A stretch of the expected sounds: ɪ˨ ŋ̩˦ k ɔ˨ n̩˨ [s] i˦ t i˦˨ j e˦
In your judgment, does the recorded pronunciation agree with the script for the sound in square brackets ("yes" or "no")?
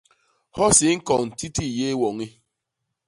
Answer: no